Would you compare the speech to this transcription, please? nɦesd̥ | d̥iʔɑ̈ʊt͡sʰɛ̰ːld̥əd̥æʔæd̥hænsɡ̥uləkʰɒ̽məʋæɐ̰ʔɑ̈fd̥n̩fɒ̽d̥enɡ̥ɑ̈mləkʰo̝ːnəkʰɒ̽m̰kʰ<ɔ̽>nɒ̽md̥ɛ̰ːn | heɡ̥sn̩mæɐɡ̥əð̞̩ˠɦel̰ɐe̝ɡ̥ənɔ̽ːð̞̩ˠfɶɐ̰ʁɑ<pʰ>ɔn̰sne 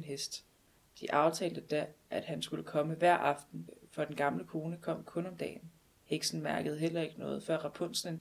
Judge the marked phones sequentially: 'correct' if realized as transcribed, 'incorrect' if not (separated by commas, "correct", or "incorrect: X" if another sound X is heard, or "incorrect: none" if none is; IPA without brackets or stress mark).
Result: correct, correct